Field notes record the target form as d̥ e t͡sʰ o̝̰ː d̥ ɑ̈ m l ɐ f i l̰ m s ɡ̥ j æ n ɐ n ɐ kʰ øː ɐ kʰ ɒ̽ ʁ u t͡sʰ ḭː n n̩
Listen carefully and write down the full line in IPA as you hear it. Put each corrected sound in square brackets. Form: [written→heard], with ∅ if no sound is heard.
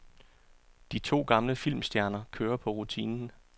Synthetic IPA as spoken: d̥ [e→i] t͡sʰ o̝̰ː [d̥→ɡ̥] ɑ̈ m l [ɐ→ə] f i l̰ m s [ɡ̥→d̥] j æ [n→∅] ɐ n ɐ kʰ øː ɐ [kʰ→pʰ] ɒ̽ ʁ u t͡sʰ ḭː n n̩